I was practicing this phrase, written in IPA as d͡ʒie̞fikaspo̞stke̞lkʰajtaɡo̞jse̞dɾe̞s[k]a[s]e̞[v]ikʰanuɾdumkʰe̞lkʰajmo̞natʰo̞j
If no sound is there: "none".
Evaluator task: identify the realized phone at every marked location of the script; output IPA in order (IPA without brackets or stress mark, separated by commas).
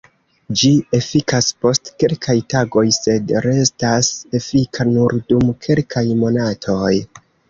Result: t, s, f